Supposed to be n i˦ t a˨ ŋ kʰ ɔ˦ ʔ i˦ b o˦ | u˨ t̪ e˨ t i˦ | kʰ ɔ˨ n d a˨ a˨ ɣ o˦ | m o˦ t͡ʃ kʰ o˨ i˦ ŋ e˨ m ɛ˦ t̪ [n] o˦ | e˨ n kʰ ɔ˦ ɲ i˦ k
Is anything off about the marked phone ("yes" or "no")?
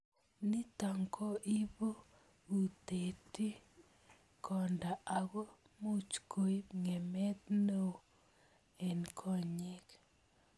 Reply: no